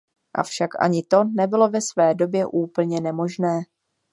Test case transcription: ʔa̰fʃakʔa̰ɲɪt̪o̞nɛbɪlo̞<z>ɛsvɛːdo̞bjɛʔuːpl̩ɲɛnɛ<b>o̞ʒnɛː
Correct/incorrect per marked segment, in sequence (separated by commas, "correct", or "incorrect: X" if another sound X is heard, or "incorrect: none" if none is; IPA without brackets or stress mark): incorrect: v, incorrect: m